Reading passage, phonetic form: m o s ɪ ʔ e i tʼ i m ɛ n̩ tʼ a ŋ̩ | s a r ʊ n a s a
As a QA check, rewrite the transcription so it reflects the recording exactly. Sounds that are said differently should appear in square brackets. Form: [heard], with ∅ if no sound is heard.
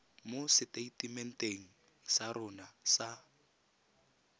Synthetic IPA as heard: m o s ɪ [t] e i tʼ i m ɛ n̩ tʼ [e] ŋ̩ | s a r ʊ n a s a